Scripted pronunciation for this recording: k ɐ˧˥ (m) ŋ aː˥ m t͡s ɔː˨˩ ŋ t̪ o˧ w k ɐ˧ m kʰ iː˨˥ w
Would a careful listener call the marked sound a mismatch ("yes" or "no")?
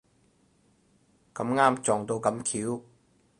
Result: no